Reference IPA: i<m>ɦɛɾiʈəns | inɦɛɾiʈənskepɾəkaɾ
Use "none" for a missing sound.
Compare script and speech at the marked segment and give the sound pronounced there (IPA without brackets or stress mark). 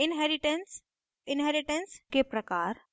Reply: n